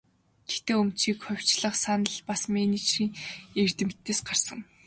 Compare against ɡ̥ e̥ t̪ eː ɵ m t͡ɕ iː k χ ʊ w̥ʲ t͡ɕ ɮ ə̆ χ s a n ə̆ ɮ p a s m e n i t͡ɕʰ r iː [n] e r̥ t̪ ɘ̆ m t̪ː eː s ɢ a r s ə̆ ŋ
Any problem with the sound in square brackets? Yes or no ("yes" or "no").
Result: yes